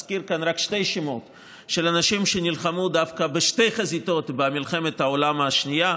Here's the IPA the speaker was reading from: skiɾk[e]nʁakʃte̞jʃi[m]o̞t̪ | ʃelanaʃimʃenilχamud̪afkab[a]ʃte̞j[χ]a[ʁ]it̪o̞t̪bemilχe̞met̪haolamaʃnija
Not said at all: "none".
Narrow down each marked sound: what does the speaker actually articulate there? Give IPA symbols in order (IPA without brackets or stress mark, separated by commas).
a, m, e, χ, z